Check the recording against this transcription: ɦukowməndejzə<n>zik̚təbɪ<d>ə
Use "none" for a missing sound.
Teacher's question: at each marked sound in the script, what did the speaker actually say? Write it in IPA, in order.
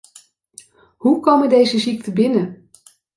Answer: none, n

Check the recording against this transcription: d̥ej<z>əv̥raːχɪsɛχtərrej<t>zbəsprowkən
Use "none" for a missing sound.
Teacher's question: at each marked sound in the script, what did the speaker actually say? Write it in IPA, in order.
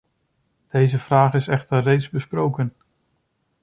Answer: z, t

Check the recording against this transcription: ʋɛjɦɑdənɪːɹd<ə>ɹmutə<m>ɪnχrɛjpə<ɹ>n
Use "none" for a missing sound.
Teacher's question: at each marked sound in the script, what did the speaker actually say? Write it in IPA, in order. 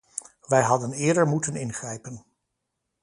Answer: ə, n, none

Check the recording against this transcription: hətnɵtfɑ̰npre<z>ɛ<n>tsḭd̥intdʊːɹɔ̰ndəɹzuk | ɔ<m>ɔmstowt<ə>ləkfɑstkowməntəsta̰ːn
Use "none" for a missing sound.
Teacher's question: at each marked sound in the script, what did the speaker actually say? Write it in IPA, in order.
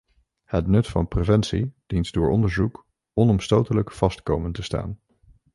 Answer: v, n, n, ə

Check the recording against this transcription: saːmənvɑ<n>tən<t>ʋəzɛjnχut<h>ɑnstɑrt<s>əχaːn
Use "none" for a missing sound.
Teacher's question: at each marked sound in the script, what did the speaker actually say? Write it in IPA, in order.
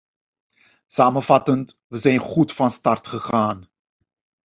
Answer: none, t, f, χ

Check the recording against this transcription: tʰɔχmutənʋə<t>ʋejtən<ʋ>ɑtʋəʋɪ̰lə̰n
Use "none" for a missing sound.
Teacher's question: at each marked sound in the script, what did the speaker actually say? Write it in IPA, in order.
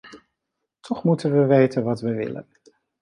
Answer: none, ʋ

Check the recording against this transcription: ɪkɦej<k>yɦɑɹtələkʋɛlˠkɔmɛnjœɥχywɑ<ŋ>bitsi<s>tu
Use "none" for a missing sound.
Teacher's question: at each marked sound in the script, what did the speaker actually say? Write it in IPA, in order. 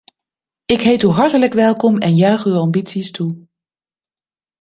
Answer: t, m, s

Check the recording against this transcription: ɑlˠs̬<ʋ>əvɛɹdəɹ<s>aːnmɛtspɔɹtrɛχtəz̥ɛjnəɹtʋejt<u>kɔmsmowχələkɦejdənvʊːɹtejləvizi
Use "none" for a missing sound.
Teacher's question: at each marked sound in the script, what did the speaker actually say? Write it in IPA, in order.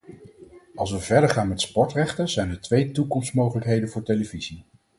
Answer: ʋ, χ, u

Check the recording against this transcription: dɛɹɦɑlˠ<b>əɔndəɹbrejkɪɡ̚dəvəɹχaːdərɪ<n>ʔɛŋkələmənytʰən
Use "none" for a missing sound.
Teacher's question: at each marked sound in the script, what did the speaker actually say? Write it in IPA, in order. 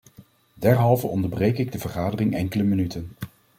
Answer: v, ŋ

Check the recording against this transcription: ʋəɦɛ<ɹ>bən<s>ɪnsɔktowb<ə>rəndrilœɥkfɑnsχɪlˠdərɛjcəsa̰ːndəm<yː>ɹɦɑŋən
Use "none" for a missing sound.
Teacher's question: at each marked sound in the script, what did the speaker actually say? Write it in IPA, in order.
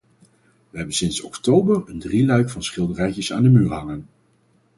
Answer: none, s, ə, yː

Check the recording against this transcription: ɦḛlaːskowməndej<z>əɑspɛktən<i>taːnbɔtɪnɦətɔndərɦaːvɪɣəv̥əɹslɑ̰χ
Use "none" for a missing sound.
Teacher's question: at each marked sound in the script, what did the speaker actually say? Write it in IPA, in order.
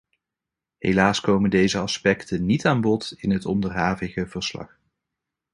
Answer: z, i

